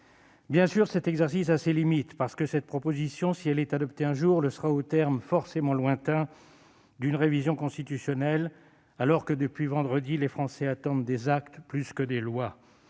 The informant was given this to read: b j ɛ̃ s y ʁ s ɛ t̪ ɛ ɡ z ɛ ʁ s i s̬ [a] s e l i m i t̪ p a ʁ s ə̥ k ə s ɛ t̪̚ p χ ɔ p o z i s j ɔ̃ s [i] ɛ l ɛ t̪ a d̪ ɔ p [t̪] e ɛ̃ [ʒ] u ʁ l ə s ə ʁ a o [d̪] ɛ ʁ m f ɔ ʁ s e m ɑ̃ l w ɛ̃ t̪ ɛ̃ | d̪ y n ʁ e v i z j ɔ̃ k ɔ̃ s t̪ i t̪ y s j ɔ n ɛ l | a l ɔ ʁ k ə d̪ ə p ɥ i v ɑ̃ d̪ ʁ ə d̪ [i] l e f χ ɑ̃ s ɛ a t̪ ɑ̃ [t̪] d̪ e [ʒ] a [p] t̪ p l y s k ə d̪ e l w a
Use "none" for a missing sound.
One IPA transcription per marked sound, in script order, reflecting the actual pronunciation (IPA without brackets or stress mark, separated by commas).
a, i, t̪, ʒ, t̪, i, d̪, z, k